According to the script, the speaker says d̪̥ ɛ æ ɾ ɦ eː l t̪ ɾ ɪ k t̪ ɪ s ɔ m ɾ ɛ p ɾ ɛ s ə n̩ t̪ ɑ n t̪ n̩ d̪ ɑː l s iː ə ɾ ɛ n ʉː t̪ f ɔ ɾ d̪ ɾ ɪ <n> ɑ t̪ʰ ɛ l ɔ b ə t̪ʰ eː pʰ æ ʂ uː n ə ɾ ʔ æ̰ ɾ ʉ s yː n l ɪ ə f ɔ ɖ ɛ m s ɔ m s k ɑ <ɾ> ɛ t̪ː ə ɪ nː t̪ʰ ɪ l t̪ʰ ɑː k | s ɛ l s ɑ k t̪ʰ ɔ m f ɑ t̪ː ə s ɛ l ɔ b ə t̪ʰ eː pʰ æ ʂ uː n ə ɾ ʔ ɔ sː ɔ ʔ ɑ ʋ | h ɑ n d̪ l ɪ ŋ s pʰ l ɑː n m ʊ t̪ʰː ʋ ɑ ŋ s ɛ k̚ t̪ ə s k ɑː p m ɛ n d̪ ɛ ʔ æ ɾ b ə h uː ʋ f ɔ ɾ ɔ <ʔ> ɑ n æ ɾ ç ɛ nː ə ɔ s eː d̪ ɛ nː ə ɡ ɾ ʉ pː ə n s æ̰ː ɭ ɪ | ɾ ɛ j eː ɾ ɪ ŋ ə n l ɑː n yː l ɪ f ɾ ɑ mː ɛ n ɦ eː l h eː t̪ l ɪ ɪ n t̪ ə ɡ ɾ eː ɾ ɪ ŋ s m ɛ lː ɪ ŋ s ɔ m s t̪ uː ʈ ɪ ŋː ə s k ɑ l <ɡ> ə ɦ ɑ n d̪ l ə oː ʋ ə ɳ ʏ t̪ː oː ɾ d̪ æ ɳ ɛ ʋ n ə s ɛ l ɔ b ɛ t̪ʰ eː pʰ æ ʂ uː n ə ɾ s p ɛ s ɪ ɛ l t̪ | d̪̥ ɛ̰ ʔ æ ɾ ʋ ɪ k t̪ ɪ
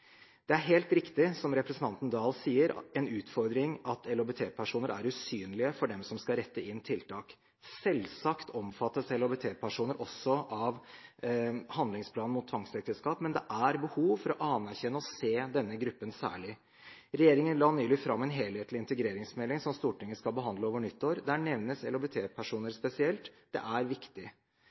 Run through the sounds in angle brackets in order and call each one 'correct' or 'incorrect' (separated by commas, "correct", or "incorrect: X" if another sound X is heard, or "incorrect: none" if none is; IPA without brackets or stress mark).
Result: incorrect: ŋ, correct, correct, incorrect: b